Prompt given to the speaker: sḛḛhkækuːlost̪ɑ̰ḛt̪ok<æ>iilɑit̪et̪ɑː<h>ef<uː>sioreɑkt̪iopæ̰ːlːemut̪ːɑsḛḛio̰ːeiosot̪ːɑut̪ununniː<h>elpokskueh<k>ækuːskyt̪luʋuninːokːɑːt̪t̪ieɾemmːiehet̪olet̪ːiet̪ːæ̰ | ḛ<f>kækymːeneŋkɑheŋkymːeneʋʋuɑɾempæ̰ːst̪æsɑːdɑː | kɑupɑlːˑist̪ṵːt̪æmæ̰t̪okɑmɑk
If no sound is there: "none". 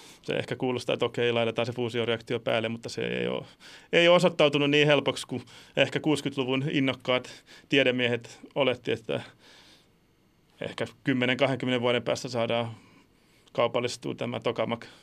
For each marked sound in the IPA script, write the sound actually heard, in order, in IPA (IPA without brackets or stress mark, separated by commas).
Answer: e, s, uː, h, k, h